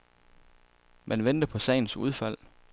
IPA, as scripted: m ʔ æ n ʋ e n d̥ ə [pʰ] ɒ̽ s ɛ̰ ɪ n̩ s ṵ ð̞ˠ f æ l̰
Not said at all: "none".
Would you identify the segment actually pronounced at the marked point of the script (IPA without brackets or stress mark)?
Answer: pʰ